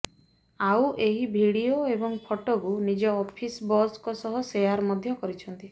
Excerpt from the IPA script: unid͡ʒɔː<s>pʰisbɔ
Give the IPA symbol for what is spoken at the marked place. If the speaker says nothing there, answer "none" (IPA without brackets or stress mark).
none